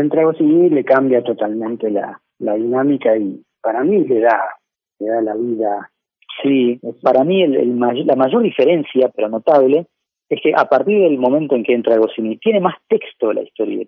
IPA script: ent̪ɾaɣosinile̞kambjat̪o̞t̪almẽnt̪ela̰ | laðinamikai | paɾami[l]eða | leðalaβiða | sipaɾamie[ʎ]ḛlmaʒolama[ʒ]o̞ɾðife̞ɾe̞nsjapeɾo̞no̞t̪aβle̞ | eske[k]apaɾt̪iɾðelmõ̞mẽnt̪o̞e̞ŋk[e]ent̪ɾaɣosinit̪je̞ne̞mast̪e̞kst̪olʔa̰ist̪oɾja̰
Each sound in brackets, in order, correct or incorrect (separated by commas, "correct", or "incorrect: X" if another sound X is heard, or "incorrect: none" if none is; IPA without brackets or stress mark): correct, incorrect: l, correct, incorrect: ʔ, correct